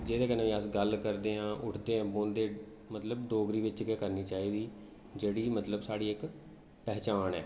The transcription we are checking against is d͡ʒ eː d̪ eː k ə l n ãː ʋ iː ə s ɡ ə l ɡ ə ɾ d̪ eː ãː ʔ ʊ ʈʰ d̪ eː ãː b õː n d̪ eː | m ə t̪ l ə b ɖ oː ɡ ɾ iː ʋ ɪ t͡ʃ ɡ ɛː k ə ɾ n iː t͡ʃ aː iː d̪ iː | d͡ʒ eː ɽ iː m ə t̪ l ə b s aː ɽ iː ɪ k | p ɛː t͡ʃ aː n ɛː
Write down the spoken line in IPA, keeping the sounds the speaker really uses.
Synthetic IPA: d͡ʒ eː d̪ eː k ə n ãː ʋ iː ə s ɡ ə l k ə ɾ d̪ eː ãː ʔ ʊ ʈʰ d̪ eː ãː b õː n d̪ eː | m ə t̪ l ə b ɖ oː ɡ ɾ iː ʋ ɪ t͡ʃ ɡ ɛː k ə ɾ n iː t͡ʃ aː iː d̪ iː | d͡ʒ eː ɽ iː m ə t̪ l ə b s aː ɽ iː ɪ k | p ɛː t͡ʃ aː n ɛː